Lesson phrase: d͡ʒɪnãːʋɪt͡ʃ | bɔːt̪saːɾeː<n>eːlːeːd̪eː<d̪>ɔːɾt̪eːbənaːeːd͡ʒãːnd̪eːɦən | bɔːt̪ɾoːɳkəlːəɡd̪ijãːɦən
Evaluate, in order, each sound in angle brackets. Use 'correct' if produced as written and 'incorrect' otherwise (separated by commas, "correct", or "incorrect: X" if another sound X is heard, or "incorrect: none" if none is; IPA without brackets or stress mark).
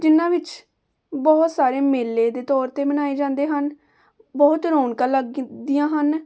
incorrect: m, incorrect: t̪